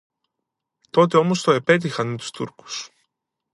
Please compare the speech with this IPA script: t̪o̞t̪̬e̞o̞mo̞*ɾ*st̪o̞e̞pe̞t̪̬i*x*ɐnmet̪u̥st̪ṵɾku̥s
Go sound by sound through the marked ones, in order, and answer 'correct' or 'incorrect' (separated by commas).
incorrect, correct